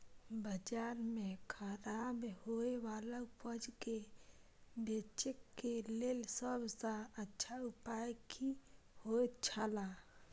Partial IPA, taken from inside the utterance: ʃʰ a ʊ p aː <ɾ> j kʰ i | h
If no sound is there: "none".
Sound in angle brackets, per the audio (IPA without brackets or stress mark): none